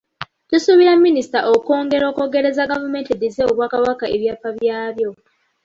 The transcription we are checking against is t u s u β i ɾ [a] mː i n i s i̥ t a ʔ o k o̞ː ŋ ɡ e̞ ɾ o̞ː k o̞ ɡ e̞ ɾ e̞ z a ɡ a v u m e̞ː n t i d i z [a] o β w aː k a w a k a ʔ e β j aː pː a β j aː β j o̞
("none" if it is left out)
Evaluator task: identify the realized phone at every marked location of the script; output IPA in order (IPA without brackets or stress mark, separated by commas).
a, e